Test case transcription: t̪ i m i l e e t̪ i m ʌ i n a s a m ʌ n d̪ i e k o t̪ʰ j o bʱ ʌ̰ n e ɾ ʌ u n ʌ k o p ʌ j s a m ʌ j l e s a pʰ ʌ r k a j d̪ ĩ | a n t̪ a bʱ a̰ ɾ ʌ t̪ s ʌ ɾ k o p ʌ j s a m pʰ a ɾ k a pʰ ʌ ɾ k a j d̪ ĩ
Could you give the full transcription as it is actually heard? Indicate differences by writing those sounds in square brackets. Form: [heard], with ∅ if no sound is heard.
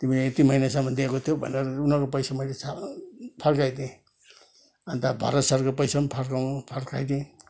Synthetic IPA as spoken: t̪ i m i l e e t̪ i m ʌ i n a s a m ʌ n d̪ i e k o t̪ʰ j o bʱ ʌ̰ n e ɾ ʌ u n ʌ k o p ʌ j s a m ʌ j l e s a pʰ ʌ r k a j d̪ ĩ | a n t̪ a bʱ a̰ ɾ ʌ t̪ s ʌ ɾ k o p ʌ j s a m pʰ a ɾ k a pʰ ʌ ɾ k a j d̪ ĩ